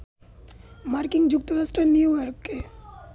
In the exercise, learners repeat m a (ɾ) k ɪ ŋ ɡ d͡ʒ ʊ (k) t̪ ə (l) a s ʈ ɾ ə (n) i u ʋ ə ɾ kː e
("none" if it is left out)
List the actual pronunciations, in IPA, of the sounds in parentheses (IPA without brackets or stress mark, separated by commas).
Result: ɾ, k, ɾ, n